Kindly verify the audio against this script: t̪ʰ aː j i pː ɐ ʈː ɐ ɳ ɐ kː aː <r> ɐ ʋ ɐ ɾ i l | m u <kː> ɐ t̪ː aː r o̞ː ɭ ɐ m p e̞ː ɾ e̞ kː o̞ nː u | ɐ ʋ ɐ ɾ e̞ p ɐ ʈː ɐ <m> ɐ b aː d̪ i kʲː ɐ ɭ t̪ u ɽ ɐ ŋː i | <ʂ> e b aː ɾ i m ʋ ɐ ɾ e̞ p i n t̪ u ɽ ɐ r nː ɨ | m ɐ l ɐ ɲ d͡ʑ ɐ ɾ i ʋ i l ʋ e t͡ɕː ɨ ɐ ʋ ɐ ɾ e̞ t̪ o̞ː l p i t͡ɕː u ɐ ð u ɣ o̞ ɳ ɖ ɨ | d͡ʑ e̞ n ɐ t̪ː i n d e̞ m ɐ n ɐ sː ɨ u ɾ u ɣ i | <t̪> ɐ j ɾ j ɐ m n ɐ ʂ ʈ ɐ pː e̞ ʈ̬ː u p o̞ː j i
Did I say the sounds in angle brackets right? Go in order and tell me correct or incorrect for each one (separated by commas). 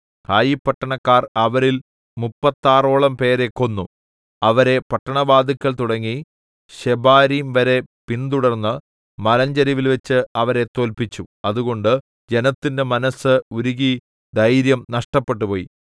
correct, incorrect, incorrect, incorrect, incorrect